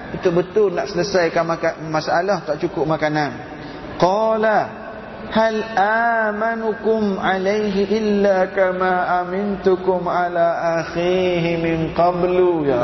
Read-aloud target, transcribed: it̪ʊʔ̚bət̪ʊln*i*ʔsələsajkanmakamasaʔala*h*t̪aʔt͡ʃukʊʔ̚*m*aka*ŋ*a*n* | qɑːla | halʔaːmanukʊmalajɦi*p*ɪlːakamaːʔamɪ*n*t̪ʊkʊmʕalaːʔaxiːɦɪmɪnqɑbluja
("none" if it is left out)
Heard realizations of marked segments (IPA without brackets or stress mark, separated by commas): a, h, m, n, n, ʔ, n